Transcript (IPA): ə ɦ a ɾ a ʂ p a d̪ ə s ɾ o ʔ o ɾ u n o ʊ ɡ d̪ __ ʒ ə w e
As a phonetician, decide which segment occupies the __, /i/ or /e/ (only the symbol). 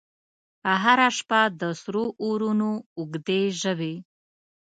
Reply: e